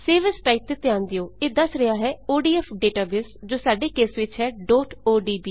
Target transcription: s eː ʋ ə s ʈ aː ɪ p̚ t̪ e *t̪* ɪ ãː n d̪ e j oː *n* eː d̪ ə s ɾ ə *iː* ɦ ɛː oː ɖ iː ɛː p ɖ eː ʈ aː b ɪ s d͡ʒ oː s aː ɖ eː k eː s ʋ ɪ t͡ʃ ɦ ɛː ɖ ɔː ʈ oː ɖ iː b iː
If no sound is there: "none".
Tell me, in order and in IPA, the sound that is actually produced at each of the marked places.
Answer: t̪, none, aː

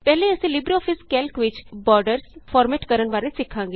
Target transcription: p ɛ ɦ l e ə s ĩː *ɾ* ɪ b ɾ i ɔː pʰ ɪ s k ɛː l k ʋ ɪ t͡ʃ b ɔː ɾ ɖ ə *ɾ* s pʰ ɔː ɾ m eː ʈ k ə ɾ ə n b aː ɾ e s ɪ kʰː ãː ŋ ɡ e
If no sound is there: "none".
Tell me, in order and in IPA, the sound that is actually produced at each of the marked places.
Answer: l, ɾ

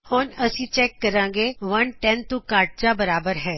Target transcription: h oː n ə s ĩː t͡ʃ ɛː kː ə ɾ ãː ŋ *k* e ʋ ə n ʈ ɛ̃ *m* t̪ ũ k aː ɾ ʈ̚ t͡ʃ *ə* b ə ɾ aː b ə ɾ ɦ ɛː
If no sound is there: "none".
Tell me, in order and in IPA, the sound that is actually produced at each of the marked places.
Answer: ɡ, n, a

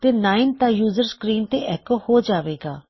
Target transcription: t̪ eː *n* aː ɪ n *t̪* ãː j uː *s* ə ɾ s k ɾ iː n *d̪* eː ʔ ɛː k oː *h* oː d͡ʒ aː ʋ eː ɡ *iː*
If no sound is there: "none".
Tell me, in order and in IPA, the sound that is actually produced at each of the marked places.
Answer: n, t̪, z, t̪, h, aː

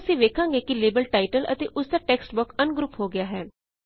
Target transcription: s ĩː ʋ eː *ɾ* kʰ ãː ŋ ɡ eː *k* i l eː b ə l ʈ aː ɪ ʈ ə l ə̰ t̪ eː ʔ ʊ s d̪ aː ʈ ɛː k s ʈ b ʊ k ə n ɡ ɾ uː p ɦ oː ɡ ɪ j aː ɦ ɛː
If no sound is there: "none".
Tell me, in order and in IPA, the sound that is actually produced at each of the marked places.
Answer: none, k

